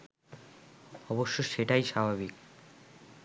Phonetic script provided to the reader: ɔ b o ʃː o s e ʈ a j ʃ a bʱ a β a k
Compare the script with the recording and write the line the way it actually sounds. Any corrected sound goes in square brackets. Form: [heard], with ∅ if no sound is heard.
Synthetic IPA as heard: ɔ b o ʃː o [ʃ] e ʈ a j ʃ a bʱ a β [i] k